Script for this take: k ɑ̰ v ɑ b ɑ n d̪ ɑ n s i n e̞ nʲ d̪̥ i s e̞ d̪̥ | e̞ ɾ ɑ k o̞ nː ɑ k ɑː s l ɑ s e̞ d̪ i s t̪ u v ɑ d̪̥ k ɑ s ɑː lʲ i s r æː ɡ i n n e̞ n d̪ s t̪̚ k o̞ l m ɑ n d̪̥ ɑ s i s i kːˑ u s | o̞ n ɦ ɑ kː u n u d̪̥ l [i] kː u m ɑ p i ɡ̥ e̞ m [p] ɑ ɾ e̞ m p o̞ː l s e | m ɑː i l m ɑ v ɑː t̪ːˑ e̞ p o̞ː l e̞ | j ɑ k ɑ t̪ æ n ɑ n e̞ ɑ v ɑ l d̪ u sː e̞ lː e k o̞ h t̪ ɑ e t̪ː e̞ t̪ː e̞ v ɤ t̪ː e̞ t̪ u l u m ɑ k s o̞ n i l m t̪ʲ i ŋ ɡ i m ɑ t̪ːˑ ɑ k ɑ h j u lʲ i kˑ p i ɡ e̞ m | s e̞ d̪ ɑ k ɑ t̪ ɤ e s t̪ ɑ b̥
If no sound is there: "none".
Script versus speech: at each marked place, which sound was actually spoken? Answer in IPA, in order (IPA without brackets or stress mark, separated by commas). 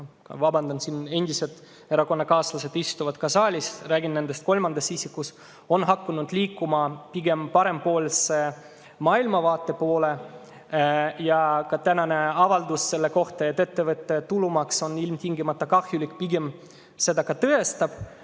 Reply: iː, p